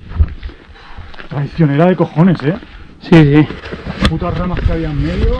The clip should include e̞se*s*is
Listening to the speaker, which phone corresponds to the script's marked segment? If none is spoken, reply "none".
s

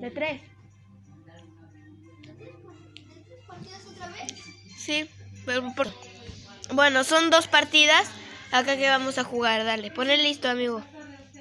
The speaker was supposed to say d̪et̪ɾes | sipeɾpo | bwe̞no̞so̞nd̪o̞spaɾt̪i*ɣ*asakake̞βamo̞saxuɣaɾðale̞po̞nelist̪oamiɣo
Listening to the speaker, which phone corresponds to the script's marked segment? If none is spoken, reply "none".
ð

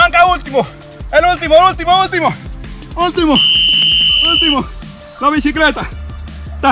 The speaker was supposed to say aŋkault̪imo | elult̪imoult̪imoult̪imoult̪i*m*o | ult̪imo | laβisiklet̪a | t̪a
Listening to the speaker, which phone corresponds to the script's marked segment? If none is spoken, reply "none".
m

